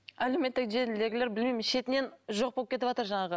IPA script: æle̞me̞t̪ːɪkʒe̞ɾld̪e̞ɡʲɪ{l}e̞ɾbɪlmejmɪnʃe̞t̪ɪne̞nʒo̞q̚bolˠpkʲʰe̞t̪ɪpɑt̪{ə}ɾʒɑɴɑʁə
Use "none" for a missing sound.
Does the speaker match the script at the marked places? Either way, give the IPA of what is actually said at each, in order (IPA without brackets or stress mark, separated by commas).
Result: l, ə